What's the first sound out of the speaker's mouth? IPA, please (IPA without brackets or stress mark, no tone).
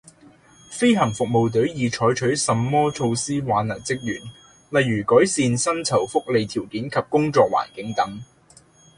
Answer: f